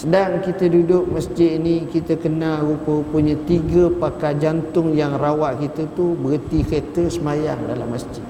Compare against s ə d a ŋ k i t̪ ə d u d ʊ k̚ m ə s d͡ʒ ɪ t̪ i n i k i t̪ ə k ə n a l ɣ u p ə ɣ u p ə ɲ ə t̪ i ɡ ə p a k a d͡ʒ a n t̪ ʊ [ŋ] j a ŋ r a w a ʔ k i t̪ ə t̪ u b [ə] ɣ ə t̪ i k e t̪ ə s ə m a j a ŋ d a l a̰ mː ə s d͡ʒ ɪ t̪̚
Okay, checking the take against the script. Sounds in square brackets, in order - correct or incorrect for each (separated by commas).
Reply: correct, correct